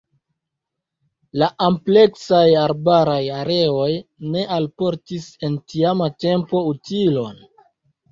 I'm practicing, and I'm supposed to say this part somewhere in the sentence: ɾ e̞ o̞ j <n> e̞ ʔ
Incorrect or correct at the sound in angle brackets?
correct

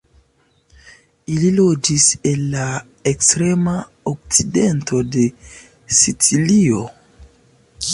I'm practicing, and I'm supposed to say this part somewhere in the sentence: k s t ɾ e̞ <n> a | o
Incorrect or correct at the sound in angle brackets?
incorrect: m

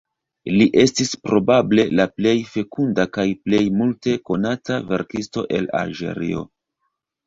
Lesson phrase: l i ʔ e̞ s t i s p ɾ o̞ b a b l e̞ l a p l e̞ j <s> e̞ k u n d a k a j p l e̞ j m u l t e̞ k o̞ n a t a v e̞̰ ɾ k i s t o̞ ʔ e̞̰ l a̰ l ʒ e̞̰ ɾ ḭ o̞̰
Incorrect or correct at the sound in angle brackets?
incorrect: f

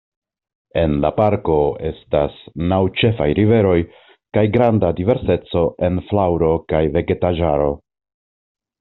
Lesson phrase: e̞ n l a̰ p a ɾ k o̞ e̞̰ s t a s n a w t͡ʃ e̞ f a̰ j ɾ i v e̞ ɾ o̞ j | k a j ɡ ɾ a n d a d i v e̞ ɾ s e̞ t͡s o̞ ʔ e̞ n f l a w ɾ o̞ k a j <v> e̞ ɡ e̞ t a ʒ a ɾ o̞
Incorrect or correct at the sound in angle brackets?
correct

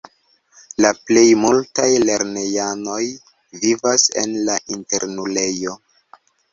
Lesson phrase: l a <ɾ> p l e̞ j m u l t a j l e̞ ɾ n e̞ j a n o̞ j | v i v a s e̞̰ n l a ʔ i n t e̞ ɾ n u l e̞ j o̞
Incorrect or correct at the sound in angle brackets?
incorrect: none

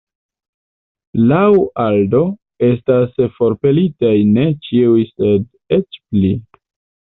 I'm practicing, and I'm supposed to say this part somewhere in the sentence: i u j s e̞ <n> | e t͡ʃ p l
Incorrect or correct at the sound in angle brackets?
incorrect: d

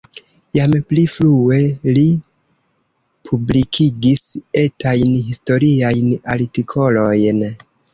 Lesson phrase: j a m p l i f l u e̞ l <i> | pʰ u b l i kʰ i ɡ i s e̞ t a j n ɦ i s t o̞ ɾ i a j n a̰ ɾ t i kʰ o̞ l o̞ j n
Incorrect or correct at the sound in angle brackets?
correct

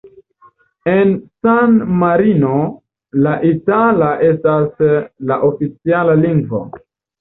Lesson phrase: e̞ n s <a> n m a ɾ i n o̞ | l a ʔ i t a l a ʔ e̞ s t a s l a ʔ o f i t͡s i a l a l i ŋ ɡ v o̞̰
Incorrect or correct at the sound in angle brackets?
correct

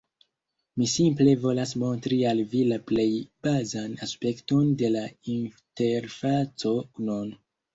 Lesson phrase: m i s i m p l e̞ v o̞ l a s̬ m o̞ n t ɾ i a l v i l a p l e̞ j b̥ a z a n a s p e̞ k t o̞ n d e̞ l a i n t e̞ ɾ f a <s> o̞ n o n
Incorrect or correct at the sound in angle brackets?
incorrect: t͡s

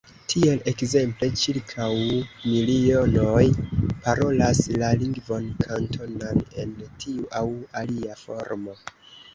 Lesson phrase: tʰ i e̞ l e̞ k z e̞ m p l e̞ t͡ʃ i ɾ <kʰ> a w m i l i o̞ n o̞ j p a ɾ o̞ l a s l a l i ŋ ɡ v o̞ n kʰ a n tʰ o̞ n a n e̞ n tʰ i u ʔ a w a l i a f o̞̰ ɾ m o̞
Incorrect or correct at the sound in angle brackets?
correct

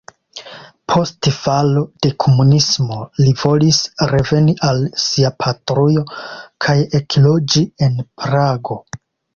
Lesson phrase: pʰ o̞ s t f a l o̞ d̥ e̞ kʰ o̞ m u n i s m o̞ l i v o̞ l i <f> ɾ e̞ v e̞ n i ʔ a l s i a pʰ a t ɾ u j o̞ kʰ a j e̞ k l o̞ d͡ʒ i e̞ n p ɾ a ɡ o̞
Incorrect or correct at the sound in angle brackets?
incorrect: s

